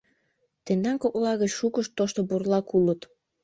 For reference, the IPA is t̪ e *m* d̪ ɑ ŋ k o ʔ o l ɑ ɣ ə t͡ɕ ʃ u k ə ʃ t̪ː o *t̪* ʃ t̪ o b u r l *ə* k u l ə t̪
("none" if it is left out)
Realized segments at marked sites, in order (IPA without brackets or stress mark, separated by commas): n, none, ɑ